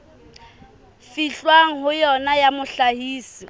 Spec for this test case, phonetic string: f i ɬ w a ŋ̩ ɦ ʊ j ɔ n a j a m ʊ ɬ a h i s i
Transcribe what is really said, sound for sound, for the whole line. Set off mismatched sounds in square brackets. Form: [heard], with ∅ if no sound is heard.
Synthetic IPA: f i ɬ w a ŋ̩ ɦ ʊ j ɔ n a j a m ʊ ɬ a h [iː] s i